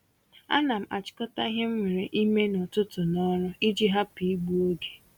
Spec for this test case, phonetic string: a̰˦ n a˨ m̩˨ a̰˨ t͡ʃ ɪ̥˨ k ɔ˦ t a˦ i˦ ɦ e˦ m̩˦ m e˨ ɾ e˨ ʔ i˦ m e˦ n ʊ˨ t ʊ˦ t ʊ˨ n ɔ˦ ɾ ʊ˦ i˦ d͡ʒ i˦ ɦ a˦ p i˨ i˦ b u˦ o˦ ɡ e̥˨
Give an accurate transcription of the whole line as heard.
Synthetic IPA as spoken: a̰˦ n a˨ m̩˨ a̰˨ t͡ʃ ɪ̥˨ k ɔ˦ t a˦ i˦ ɦ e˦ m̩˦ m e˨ ɾ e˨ ʔ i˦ m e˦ n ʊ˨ t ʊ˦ t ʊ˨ n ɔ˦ ɾ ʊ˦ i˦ d͡ʒ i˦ ɦ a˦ p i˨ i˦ ɡ͡b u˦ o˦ ɡ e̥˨